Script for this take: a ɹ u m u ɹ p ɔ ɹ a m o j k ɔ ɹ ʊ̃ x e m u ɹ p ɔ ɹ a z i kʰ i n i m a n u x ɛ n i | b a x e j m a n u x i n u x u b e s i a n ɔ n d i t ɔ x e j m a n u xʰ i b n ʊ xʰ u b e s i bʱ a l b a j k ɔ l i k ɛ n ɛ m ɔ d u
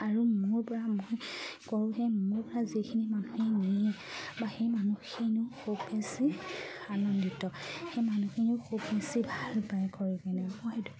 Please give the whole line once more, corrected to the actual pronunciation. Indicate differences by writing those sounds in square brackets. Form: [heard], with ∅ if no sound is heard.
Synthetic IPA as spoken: a ɹ u m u ɹ p ɔ ɹ a m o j k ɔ ɹ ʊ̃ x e m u ɹ p ɔ ɹ a z i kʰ i n i m a n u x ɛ n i | b a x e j m a n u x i n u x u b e s i a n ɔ n d i t ɔ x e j m a n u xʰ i [∅] n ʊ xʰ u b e s i bʱ a l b a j k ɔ [ɹ] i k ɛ n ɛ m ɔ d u

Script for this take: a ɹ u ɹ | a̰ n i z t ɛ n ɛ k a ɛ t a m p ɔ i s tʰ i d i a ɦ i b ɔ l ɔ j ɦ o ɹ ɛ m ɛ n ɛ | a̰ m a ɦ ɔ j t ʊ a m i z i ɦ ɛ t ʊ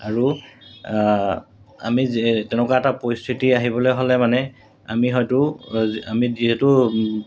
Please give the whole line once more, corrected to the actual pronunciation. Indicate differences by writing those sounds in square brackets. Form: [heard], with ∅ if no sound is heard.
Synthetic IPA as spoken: a ɹ u [∅] | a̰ [m] i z t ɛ n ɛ k a ɛ t a [∅] p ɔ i s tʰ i [t] i a ɦ i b ɔ l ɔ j ɦ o [l] ɛ m [a] n ɛ | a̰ m [i] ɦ ɔ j t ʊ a m i z i ɦ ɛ t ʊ

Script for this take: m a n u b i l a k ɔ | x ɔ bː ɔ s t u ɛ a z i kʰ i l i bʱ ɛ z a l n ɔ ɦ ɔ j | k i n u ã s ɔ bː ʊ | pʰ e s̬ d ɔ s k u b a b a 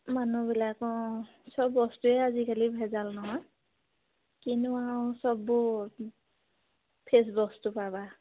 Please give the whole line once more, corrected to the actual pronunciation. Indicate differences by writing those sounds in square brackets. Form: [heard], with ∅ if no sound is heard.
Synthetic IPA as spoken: m a n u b i l a k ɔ | [s] ɔ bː ɔ s t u ɛ a z i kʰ [a] l i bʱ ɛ z a l n ɔ ɦ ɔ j | k i n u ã s ɔ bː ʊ | pʰ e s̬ [b] ɔ s [t] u [p] a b a

